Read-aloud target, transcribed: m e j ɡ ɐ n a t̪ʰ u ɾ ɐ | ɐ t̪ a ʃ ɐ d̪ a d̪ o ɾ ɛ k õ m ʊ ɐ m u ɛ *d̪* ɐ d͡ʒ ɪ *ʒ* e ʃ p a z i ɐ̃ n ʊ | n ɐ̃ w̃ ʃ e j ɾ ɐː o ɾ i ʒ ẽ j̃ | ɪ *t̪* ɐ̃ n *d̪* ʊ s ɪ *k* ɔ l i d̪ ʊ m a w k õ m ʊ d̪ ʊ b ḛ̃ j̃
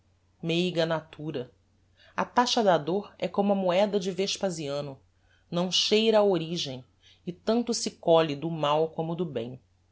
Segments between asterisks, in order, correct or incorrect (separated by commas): correct, incorrect, correct, incorrect, correct